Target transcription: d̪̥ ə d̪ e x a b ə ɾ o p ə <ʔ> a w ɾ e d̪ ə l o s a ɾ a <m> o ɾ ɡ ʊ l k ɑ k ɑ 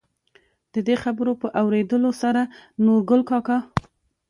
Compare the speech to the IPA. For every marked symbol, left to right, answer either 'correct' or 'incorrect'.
correct, incorrect: n

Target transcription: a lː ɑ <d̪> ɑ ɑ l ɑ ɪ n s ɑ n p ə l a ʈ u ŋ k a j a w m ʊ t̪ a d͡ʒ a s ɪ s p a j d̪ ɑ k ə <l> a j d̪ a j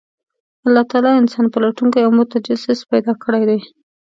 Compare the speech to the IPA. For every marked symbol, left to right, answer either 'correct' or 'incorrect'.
incorrect: t̪, incorrect: ɽ

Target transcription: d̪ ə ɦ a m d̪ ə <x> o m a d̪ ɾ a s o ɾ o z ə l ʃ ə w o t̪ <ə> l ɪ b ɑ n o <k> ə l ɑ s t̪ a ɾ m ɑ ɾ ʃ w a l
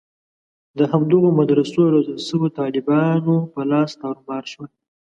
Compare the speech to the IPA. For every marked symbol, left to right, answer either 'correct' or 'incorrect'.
incorrect: ɣ, incorrect: ɑ, incorrect: p

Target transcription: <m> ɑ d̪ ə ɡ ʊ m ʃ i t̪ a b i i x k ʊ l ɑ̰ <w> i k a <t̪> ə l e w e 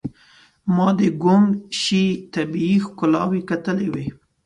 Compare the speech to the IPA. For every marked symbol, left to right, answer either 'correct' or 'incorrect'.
correct, correct, correct

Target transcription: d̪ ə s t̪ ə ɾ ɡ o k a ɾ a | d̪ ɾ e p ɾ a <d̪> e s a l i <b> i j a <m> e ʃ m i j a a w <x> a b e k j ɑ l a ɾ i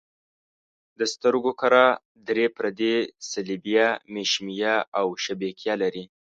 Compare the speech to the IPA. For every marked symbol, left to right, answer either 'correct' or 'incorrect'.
correct, correct, correct, incorrect: ʃ

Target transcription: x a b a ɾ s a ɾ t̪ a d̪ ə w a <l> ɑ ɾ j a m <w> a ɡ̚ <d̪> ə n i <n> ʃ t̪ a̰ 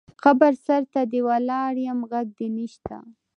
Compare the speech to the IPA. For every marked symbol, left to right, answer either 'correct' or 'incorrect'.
correct, incorrect: ɣ, correct, incorrect: none

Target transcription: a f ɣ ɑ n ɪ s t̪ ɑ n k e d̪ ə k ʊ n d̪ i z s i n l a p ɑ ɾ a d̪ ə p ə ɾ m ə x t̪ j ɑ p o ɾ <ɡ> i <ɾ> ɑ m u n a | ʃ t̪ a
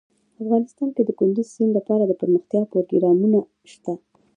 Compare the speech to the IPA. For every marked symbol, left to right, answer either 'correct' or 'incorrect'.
correct, correct

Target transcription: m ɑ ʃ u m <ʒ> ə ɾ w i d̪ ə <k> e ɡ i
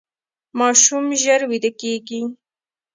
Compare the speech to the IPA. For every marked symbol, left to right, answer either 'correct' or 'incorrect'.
correct, correct

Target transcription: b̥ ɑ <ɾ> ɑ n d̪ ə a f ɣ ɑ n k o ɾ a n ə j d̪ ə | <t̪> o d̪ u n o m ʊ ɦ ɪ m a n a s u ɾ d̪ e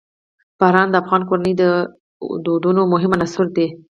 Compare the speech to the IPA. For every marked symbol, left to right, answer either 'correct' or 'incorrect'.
correct, incorrect: d̪

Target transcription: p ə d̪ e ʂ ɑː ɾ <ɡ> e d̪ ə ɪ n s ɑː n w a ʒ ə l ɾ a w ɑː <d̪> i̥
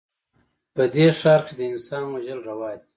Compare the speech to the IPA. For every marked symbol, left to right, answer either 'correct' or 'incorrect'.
incorrect: k, correct

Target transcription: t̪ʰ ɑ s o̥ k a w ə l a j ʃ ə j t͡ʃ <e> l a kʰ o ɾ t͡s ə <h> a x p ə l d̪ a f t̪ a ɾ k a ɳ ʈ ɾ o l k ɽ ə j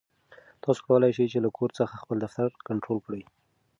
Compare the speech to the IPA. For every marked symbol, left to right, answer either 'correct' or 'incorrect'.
correct, incorrect: x

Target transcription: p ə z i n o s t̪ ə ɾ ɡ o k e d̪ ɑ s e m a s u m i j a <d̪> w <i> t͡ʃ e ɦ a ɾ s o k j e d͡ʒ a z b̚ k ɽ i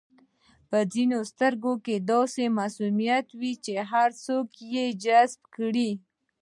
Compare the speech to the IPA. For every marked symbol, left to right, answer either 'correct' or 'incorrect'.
incorrect: t̪, correct

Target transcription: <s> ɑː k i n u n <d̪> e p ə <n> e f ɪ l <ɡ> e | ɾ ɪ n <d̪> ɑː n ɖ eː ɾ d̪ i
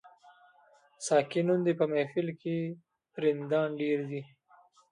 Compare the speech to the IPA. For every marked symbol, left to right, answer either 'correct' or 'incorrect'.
correct, correct, incorrect: m, incorrect: k, correct

